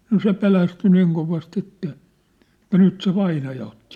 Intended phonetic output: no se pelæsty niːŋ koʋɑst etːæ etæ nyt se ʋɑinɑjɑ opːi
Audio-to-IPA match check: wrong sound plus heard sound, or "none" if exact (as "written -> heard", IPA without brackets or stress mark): pː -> tː